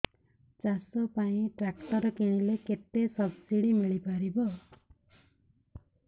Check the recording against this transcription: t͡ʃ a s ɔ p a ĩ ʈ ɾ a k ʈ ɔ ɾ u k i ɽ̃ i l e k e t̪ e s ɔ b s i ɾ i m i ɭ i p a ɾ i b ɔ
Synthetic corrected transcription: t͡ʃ a s ɔ p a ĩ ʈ ɾ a k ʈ ɔ ɾ ɔ k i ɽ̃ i l e k e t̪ e s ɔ b s i ɽ i m i ɭ i p a ɾ i b ɔ